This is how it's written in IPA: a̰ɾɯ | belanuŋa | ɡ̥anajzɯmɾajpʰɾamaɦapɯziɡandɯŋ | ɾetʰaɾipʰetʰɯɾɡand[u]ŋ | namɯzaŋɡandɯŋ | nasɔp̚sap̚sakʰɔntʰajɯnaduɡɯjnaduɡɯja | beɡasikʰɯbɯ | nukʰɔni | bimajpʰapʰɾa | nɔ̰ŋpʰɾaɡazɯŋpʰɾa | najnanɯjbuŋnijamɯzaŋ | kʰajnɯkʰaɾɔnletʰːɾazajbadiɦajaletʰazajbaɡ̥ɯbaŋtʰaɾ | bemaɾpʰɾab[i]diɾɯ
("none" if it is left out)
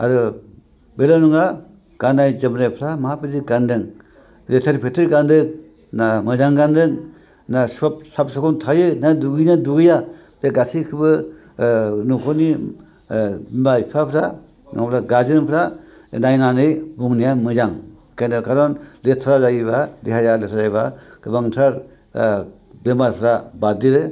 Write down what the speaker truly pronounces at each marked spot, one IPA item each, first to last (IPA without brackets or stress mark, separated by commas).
ɯ, a